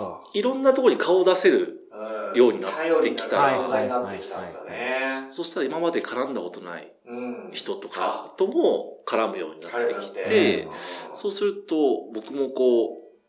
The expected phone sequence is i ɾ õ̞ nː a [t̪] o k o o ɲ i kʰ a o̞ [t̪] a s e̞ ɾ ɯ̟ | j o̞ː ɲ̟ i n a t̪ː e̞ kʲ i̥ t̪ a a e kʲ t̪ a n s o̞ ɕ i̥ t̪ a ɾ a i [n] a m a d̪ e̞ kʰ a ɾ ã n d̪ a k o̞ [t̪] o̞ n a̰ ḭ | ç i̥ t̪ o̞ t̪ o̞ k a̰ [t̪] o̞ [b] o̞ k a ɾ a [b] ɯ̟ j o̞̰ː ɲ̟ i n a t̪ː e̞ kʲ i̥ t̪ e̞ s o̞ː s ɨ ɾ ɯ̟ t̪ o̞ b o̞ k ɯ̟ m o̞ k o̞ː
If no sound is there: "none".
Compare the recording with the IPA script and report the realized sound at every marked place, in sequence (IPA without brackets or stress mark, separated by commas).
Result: t̪, d̪, m, t̪, t̪, m, m